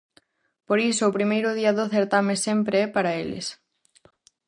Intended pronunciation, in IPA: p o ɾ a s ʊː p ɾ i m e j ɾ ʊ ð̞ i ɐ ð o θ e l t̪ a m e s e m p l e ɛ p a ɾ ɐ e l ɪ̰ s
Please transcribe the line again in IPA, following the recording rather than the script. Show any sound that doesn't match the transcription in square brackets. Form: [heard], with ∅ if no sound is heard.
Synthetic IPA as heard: p o ɾ [i] s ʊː p ɾ i m e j ɾ ʊ ð̞ i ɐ ð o θ e [ɾ] t̪ a m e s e m p [ɾ] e ɛ p a ɾ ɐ e l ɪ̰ s